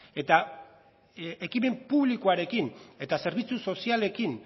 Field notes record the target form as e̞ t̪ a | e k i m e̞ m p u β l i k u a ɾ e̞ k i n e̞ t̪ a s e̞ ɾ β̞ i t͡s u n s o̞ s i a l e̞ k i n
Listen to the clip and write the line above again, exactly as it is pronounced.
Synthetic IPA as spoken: e̞ t̪ a | e k i m e̞ m p u β l i k o a ɾ e̞ k i n e̞ t̪ a s e̞ ɾ β̞ i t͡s u s o̞ s i a l e̞ k i n